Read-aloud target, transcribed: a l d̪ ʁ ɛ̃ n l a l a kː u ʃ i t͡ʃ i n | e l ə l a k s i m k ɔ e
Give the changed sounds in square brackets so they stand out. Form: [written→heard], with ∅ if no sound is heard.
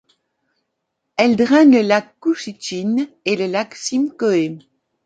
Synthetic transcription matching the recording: [a→ɛ] l d̪ ʁ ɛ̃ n l [a→ə] l a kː u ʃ i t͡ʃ i n | e l ə l a k s i m k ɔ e